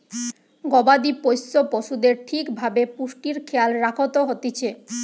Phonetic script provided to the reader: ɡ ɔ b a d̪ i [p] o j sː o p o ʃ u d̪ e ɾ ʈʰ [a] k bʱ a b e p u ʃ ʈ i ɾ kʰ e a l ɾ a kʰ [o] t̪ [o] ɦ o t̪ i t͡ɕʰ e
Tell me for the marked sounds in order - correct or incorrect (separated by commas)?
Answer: correct, incorrect, correct, correct